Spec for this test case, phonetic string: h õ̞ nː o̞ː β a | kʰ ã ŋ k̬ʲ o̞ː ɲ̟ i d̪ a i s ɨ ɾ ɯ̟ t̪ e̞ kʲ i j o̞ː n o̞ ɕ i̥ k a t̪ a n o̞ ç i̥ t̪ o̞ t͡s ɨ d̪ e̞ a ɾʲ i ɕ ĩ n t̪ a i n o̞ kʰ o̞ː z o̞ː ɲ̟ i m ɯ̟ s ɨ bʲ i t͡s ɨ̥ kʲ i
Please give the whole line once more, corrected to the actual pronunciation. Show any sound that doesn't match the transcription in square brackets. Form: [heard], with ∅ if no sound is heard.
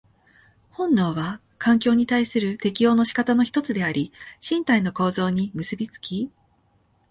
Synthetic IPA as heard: h õ̞ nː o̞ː β a | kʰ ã ŋ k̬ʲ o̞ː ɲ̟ i [t̪] a i s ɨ ɾ ɯ̟ t̪ e̞ kʲ i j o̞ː n o̞ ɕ i̥ k a t̪ a n o̞ ç i̥ t̪ o̞ t͡s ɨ d̪ e̞ a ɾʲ i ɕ ĩ n t̪ a i n o̞ [k] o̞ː z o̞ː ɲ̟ i m ɯ̟ s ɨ bʲ i t͡s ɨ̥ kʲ i